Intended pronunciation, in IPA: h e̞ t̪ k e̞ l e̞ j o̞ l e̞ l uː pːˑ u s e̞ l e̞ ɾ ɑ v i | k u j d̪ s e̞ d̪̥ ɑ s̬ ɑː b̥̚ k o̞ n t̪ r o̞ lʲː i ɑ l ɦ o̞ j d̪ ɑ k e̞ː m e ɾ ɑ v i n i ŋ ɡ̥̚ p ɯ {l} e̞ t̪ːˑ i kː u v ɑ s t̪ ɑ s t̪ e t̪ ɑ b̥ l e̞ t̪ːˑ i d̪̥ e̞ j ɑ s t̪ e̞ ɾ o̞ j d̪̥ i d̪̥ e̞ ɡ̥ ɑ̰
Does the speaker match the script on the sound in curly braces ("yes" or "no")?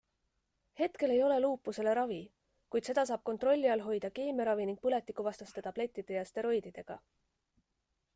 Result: yes